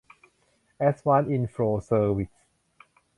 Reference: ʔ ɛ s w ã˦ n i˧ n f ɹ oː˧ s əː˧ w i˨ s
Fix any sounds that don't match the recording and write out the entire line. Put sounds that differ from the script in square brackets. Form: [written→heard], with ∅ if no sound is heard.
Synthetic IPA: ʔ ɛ s w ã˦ n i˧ n f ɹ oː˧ s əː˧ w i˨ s